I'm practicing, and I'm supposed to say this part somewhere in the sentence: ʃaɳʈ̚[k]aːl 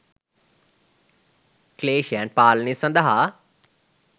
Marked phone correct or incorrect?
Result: incorrect